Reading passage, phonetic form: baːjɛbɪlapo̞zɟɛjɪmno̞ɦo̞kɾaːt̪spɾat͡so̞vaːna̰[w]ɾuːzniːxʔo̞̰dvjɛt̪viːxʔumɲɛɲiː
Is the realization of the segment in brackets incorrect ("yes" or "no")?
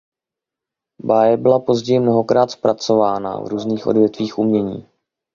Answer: yes